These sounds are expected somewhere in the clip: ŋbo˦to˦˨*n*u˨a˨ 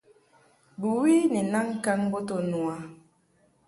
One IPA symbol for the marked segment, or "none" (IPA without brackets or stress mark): n